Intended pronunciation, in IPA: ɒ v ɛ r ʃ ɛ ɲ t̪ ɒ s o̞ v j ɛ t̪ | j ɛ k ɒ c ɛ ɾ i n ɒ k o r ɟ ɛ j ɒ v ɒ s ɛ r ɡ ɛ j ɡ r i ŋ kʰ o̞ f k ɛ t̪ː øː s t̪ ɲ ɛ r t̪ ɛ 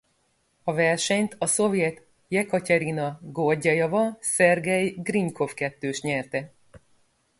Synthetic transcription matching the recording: ɒ v ɛ r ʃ ɛ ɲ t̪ ɒ s o̞ v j ɛ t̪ | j ɛ k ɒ c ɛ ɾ i n ɒ ɡ o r ɟ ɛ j ɒ v ɒ s ɛ r ɡ ɛ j ɡ r i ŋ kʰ o̞ f k ɛ t̪ː øː ʃ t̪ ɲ ɛ r t̪ ɛ